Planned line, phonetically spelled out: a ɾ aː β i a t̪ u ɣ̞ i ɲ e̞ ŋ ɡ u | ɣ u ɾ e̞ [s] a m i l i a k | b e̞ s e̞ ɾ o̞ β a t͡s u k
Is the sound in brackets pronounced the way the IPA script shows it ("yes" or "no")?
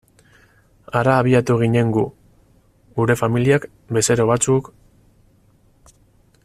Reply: no